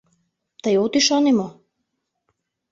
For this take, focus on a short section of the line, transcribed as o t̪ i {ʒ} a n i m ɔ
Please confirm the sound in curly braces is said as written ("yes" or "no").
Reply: no